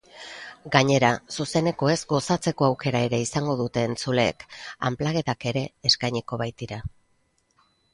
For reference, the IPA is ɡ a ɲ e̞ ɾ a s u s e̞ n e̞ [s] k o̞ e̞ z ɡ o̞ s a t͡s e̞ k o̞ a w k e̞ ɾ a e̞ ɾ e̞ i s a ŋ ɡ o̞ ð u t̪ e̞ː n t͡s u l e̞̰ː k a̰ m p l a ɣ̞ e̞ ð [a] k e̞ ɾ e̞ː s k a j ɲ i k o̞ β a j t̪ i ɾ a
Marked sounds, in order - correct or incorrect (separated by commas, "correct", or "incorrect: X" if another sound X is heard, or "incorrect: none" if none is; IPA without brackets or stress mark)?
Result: incorrect: none, correct